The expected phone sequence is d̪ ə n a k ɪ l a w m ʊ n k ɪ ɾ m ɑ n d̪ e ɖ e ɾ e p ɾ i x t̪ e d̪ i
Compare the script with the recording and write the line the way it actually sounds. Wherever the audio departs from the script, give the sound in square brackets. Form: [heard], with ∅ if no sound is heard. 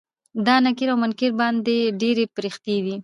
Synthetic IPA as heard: d̪ [ɑ] n a k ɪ [ɾ] a w m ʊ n k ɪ ɾ [b] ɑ n d̪ e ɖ e ɾ e p ɾ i x t̪ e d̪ i